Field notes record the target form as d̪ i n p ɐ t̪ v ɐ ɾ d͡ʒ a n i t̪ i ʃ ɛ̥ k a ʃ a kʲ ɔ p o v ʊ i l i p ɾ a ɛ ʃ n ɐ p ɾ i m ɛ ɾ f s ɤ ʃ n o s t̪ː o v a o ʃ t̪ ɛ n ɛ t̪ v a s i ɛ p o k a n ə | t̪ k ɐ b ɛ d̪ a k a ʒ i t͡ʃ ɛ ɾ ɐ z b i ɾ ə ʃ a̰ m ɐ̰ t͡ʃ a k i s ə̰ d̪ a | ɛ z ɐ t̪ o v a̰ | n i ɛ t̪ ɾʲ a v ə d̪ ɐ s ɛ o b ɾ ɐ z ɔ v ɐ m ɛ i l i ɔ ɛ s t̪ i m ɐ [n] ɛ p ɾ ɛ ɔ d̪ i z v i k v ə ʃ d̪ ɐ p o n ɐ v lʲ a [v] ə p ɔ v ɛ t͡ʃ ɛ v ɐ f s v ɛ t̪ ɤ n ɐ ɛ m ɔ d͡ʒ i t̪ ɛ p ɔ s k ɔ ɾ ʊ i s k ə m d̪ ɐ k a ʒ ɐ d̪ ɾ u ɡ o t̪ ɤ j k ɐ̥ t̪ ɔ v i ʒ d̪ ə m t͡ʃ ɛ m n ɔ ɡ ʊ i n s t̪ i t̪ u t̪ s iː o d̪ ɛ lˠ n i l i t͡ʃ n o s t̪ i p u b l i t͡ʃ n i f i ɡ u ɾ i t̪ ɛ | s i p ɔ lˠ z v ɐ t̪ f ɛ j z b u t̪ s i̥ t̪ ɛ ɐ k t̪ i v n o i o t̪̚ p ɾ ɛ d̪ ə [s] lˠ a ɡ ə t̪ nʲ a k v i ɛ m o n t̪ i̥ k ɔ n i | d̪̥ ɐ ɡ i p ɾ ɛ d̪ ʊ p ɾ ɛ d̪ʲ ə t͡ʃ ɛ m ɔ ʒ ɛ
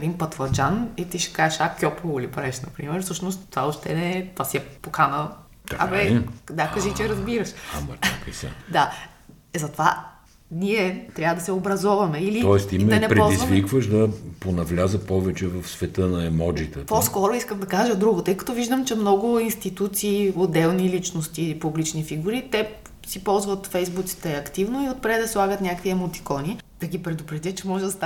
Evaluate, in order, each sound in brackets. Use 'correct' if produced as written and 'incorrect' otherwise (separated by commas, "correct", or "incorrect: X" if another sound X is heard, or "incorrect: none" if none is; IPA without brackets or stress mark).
correct, incorrect: z, correct